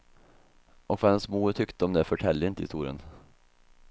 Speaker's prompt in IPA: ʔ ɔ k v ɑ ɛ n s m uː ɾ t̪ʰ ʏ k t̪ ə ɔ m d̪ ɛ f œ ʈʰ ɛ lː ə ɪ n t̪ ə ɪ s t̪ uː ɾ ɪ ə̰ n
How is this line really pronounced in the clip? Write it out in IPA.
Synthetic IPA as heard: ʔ ɔ k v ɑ ɛ n s m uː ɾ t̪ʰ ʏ k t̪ ə ɔ m d̪ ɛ f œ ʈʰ ɛ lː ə ɪ n t̪ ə ɪ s t̪ uː ɾ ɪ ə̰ n